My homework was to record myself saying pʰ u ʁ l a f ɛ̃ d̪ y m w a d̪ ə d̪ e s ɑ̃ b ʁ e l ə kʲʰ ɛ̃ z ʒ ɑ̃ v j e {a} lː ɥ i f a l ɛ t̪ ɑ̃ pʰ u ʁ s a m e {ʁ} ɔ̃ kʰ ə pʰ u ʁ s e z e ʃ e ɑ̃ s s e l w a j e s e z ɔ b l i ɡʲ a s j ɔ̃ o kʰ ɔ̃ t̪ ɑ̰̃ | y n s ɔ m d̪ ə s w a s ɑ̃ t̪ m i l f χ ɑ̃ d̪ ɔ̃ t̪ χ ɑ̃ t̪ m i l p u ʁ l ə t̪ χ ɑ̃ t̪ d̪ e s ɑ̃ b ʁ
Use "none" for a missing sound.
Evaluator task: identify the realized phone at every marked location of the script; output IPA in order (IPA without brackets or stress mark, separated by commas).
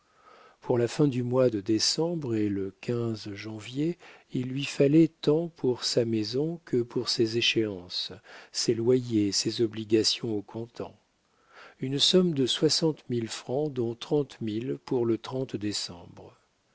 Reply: i, z